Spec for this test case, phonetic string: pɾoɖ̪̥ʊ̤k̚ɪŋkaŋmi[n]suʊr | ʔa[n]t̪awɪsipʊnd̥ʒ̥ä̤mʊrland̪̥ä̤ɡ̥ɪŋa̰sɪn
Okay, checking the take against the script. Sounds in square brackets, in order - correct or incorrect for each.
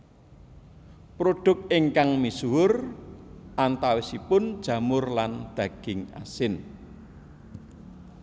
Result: incorrect: none, correct

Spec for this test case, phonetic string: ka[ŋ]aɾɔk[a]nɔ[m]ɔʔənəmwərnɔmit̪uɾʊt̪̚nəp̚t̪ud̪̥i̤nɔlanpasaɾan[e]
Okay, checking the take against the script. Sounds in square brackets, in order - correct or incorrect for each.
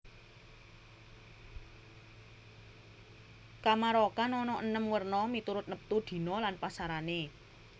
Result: incorrect: m, correct, incorrect: n, correct

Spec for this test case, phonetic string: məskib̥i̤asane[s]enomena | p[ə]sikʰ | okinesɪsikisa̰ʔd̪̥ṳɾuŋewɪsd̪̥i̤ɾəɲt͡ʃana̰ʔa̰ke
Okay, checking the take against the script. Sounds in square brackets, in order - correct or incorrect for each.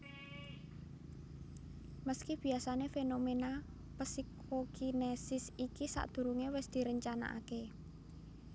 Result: incorrect: f, correct

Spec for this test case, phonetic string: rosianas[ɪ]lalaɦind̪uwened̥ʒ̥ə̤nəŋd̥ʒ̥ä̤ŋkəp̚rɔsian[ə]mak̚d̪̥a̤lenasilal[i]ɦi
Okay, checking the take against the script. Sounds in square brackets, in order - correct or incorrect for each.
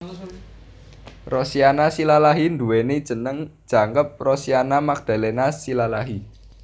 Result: incorrect: i, incorrect: a, incorrect: a

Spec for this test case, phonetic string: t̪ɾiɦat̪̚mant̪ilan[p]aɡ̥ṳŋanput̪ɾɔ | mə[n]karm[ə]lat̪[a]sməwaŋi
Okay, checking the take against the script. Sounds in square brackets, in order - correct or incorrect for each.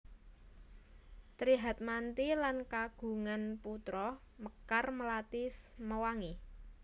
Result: incorrect: k, incorrect: none, correct, incorrect: i

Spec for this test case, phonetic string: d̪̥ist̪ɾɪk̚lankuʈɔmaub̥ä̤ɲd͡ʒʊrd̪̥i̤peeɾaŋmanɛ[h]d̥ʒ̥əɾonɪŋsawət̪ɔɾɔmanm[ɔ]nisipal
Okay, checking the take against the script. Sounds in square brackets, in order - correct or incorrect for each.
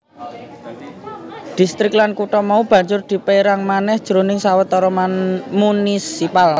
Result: correct, incorrect: u

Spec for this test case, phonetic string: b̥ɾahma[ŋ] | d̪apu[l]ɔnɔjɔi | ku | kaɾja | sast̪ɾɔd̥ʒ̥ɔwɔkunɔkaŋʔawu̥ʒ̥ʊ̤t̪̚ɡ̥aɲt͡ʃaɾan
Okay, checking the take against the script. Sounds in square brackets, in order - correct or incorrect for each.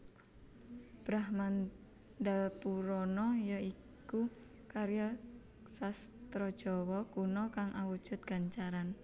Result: incorrect: n, incorrect: ɾ

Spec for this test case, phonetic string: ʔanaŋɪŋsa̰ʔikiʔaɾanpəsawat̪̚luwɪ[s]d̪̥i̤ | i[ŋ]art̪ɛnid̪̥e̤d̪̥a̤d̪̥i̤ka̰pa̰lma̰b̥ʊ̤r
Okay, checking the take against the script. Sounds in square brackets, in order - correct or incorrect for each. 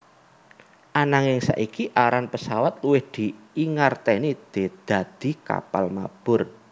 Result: incorrect: h, correct

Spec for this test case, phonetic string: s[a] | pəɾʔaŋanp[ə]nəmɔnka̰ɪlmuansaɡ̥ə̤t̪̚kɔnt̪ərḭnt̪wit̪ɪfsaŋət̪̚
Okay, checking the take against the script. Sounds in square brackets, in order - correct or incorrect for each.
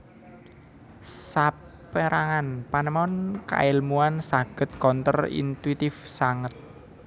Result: correct, incorrect: a

